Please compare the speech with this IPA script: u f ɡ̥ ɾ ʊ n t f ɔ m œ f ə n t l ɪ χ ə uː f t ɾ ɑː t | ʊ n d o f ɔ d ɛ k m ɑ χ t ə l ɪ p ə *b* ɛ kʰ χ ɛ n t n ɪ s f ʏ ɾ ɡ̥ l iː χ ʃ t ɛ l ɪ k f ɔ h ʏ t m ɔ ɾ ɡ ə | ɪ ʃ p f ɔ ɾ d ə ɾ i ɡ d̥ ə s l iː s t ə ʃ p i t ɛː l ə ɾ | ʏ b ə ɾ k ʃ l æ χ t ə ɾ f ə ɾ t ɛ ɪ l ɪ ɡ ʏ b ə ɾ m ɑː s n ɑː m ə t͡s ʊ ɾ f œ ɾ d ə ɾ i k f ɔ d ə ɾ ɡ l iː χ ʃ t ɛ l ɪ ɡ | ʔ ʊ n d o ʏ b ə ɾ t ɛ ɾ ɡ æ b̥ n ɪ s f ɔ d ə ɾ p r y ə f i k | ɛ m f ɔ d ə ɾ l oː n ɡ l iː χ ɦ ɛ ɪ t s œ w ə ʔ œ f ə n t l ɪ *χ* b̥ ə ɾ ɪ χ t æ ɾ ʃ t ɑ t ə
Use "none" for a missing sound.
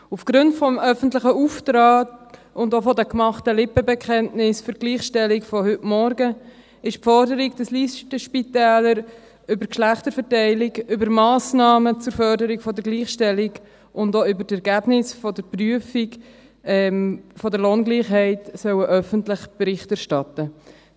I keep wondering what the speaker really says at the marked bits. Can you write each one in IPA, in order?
b, χ

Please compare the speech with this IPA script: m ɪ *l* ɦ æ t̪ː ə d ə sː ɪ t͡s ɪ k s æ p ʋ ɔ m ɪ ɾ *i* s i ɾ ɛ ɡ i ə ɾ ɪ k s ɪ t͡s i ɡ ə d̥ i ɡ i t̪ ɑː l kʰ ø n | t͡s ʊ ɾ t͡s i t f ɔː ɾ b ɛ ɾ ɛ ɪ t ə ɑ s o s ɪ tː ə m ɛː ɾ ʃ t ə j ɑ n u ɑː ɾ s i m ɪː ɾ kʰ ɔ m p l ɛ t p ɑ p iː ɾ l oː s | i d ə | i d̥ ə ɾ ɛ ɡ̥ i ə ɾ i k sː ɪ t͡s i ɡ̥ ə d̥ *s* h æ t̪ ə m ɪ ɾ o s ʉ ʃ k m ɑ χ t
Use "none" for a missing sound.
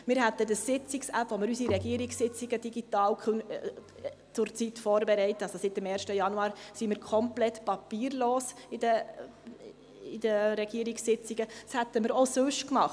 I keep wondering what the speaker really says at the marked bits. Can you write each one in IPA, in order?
ɾ, y, s

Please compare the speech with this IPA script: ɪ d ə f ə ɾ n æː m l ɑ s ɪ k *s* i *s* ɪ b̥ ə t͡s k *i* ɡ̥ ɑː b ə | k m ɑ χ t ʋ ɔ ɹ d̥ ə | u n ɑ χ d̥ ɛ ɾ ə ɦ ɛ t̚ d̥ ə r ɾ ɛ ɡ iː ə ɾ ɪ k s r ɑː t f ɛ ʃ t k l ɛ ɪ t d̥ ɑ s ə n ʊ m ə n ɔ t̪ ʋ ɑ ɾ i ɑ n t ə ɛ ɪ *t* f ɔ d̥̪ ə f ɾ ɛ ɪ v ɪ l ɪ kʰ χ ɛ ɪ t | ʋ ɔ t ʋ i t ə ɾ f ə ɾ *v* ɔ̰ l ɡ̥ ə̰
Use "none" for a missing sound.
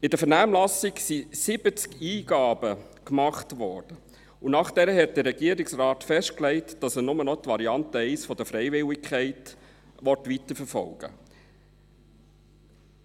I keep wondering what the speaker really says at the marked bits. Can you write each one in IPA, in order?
s, s, iː, s, f

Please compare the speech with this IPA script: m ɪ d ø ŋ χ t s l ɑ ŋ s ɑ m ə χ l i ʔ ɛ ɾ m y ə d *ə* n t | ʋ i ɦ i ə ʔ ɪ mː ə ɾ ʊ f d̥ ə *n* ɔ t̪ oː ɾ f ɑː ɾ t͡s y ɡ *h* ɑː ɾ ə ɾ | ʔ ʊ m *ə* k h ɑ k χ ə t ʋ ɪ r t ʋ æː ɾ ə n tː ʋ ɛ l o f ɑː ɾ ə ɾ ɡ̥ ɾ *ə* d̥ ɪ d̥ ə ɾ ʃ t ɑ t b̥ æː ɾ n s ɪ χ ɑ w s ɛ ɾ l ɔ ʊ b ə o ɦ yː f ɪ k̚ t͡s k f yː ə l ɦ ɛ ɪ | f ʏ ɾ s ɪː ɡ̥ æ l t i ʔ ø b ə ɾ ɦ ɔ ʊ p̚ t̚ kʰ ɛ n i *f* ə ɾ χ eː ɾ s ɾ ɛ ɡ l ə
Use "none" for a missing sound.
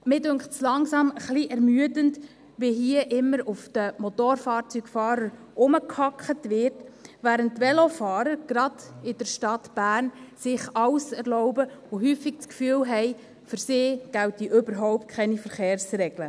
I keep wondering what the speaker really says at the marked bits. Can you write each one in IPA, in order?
ə, m, f, ə, ɑ, f

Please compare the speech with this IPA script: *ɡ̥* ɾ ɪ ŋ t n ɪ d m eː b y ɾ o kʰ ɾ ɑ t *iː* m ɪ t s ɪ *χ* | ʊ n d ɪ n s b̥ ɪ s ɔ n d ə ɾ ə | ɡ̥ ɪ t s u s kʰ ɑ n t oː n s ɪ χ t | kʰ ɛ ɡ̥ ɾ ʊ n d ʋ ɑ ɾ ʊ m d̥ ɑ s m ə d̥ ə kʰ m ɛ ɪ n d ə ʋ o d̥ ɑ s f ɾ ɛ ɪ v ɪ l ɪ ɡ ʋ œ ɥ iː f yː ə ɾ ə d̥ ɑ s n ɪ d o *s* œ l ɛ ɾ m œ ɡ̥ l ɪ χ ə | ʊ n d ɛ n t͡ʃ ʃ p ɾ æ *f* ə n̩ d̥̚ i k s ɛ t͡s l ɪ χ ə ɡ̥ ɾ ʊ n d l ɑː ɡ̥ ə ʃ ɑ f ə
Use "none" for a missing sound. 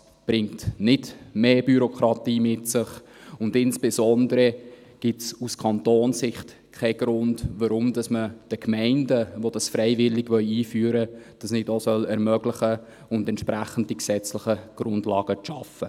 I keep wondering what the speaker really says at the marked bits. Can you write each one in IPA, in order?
b̥, iː, χ, s, χ

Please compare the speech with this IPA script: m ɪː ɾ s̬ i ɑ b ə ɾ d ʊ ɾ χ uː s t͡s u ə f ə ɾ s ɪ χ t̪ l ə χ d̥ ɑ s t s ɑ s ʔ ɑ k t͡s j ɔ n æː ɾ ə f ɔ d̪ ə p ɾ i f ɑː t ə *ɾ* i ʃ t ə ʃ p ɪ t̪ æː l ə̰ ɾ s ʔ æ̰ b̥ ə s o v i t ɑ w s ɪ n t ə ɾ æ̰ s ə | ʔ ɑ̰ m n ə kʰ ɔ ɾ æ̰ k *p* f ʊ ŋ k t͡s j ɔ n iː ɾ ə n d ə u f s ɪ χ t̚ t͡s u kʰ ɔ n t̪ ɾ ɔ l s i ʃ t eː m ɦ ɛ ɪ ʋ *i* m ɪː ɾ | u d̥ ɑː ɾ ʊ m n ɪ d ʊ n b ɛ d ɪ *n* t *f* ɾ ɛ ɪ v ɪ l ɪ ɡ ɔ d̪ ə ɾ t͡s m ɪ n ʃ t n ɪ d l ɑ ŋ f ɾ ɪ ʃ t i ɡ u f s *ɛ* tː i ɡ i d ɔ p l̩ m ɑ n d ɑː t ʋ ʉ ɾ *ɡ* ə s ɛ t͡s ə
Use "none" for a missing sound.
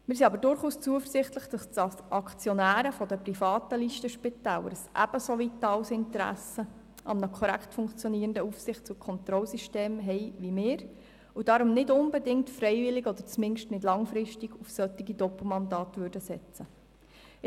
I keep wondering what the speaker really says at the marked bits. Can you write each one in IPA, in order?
l, t, i, ŋ, f, œ, d

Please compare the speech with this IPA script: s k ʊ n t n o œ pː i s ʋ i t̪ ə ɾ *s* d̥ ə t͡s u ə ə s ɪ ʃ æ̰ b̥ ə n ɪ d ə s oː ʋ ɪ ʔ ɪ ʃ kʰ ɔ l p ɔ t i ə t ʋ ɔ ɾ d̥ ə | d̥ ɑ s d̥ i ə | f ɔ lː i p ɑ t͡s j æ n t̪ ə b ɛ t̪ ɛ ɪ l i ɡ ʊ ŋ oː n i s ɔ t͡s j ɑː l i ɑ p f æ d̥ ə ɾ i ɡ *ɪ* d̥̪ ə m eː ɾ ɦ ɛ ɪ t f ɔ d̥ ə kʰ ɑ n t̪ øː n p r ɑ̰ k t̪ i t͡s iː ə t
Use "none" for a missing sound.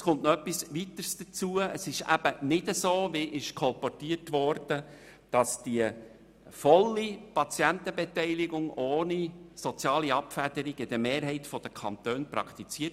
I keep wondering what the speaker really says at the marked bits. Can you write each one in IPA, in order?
s, ɪ

